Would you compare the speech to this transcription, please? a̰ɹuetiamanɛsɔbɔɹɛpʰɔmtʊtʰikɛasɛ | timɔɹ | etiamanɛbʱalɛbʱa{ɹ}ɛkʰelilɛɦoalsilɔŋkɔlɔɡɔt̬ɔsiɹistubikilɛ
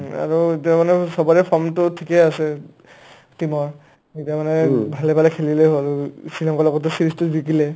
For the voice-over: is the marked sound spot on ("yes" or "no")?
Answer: no